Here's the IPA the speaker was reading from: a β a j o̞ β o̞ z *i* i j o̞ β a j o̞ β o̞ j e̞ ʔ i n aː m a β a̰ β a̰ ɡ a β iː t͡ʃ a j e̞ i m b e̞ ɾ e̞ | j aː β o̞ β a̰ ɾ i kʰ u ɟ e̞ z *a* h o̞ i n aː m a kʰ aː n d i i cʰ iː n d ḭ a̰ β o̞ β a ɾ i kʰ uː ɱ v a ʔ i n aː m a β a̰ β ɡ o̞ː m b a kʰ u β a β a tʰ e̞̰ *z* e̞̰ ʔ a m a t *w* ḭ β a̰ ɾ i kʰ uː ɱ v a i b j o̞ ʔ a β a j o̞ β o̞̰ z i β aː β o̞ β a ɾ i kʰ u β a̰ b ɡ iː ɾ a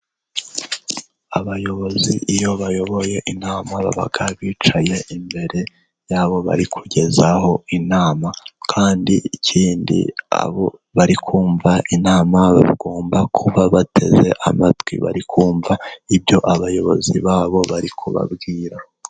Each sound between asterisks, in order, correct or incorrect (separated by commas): correct, correct, correct, correct